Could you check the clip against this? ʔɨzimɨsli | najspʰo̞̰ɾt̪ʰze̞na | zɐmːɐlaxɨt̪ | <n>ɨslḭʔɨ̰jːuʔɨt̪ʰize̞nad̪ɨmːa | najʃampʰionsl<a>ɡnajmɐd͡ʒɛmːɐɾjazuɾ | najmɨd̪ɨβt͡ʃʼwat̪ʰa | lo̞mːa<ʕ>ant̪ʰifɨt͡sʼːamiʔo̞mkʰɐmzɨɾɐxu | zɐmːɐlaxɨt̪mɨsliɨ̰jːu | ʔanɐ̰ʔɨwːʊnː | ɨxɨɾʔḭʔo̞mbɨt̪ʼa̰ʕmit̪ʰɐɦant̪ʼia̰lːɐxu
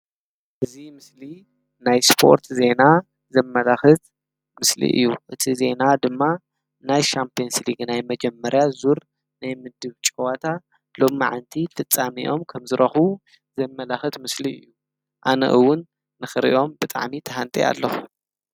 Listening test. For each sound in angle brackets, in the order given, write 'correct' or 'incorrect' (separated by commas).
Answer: incorrect, incorrect, correct